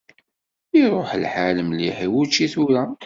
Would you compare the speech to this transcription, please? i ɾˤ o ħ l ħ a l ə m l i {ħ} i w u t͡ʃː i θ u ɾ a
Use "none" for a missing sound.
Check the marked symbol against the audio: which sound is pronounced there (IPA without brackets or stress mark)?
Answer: ħ